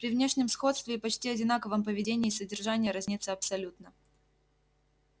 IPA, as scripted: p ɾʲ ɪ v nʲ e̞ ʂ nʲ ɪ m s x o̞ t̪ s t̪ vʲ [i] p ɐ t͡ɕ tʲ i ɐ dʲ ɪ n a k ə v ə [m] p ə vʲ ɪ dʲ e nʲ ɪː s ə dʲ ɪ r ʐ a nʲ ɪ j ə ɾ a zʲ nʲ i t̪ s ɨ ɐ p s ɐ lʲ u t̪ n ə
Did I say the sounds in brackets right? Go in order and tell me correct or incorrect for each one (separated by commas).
incorrect, correct